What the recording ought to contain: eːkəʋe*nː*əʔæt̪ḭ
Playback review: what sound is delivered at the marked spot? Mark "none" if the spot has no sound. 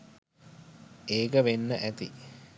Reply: nː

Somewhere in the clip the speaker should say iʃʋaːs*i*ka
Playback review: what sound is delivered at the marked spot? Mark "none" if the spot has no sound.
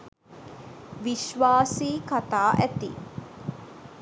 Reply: iː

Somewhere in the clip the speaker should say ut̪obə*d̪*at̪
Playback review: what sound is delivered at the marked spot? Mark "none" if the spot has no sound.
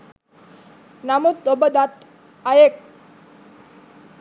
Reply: d̪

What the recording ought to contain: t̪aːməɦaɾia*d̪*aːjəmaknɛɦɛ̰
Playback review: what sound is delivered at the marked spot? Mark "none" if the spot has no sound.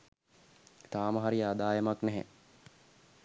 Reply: d̪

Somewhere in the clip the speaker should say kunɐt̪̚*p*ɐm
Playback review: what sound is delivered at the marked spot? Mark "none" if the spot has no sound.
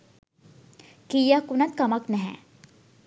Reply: k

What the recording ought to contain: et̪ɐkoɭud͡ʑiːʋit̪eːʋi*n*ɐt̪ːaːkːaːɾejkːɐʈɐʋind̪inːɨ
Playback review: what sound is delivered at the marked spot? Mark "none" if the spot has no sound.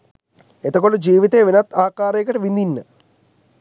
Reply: n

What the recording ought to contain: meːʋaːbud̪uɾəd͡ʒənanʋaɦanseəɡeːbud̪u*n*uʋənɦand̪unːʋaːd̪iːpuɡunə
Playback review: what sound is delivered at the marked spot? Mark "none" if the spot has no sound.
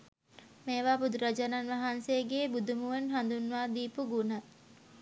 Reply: m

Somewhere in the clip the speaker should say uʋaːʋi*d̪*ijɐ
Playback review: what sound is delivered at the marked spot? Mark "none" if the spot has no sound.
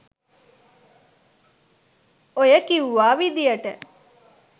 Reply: d̪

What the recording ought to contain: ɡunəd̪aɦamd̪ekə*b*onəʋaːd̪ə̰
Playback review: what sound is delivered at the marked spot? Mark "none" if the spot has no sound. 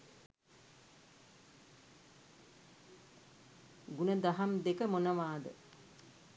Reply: m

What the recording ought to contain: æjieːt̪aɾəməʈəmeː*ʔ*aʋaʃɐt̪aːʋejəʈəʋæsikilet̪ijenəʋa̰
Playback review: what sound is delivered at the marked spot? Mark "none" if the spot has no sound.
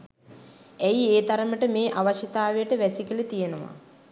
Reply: ʔ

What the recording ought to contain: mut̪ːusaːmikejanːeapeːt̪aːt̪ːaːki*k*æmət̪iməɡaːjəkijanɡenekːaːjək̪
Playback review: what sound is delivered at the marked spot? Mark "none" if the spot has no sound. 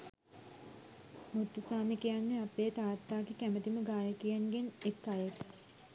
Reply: k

